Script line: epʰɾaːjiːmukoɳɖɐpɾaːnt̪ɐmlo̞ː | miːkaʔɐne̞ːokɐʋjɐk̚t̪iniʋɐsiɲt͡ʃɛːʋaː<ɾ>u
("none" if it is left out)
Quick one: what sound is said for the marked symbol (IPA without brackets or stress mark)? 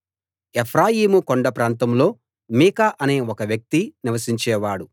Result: ɽ